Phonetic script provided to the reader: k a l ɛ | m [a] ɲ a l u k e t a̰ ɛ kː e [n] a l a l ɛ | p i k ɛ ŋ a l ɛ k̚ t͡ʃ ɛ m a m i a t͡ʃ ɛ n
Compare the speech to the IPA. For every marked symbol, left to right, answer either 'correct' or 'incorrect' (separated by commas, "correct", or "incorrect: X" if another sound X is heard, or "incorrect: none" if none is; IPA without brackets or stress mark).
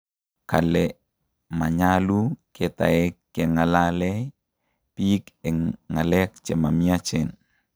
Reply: correct, incorrect: ŋ